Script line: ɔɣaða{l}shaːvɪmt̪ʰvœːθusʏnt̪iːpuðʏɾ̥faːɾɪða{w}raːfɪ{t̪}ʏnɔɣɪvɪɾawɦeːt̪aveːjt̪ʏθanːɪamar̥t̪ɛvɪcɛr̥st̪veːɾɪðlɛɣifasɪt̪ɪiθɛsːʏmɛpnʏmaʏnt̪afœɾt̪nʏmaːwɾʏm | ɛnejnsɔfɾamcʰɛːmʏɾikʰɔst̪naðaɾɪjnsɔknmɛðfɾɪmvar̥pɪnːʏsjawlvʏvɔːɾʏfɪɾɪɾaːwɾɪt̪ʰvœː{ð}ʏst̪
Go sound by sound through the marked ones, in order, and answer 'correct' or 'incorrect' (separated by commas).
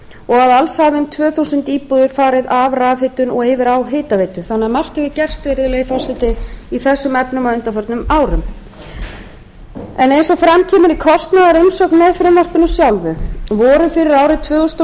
correct, incorrect, correct, incorrect